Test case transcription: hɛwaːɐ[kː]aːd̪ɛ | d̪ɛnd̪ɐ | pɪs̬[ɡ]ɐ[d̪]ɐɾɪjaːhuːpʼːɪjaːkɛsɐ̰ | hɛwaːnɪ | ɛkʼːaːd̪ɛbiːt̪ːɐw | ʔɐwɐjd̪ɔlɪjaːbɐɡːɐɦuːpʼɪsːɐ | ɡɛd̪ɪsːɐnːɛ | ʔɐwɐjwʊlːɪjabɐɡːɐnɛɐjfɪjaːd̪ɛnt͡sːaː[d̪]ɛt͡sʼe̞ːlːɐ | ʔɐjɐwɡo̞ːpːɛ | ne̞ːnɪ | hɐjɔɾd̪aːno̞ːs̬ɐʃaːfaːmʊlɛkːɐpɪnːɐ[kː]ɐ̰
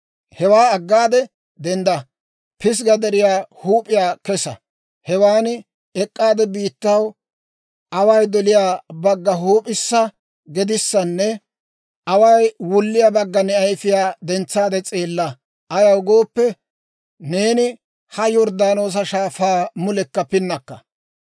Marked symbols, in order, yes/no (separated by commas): no, yes, yes, yes, yes